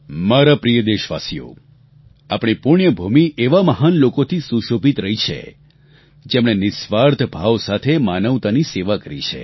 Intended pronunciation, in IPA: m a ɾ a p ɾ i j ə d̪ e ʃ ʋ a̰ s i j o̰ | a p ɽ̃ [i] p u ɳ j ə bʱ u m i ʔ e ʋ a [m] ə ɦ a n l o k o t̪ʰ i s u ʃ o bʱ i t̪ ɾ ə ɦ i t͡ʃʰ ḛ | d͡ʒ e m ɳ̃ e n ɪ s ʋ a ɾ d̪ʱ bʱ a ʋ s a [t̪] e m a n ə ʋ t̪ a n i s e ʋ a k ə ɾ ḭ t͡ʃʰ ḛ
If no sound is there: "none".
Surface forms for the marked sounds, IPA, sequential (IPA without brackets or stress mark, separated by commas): i, m, t̪ʰ